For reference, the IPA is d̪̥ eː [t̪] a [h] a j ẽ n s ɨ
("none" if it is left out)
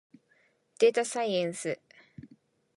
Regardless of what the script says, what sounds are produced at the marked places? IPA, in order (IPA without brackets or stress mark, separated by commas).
t̪, s